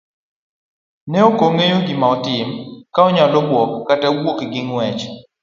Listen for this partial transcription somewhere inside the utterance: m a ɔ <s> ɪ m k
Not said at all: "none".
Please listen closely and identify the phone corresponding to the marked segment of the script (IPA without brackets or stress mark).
t